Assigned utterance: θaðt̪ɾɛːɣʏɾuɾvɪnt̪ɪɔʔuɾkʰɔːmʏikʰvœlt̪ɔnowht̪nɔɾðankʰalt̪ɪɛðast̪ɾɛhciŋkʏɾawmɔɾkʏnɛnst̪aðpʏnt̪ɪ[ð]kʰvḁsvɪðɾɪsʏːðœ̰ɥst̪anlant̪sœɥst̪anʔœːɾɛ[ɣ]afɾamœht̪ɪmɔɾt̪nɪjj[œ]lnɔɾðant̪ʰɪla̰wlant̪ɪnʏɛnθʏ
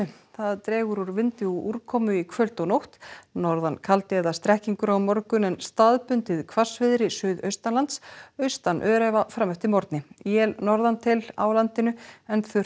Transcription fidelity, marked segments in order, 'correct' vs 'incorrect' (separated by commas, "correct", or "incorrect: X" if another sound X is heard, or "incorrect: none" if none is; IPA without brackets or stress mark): correct, incorrect: v, incorrect: ɛ